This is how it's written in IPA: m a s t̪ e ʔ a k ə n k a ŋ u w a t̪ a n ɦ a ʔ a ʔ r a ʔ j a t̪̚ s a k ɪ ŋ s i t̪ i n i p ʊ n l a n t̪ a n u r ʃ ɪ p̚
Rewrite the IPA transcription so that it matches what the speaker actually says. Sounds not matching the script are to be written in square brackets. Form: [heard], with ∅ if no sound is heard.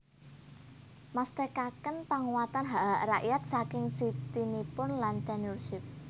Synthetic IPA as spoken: m a s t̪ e [k] a k ə n [p] a ŋ u w a t̪ a n ɦ a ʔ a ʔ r a ʔ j a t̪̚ s a k ɪ ŋ s i t̪ i n i p ʊ n l a n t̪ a n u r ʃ ɪ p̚